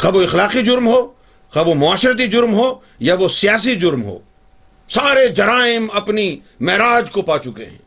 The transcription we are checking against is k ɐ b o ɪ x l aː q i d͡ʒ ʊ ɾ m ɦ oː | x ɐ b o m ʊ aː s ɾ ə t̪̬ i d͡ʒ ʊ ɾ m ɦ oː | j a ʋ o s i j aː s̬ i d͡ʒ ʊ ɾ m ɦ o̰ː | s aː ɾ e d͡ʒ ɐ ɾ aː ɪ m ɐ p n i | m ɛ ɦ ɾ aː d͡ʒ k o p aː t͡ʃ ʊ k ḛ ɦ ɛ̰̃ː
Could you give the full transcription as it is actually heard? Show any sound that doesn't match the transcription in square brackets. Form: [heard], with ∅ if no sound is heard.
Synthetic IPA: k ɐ b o ɪ x l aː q i d͡ʒ ʊ ɾ m ɦ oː | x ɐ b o m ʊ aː [ʃ] ɾ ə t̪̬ i d͡ʒ ʊ ɾ m ɦ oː | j a ʋ o s i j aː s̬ i d͡ʒ ʊ ɾ m ɦ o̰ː | s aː ɾ e d͡ʒ ɐ ɾ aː ɪ m ɐ p n i | m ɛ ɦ ɾ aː d͡ʒ k o p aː t͡ʃ ʊ k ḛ ɦ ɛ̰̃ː